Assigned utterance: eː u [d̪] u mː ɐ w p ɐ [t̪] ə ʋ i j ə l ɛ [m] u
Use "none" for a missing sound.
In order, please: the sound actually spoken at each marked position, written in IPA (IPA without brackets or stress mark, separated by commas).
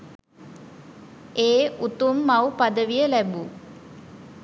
t̪, d̪, b